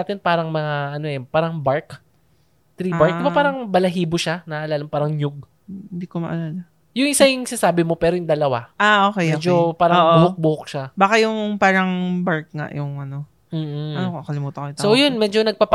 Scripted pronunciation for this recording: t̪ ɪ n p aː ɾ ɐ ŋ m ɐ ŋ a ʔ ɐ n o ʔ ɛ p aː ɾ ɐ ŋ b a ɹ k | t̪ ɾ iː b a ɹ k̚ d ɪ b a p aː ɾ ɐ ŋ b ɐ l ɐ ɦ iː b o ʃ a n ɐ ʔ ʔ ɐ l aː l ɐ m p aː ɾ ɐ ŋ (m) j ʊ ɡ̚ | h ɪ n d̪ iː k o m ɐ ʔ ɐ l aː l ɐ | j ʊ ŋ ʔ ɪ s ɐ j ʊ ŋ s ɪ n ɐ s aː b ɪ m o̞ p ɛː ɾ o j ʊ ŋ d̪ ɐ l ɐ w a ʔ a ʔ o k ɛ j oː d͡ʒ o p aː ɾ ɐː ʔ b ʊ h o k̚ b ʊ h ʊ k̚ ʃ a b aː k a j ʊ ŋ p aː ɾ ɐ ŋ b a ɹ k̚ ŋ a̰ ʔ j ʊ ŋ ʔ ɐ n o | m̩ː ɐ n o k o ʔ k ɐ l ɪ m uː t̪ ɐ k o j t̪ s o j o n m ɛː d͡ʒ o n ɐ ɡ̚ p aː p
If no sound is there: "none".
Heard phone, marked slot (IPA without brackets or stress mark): ɲ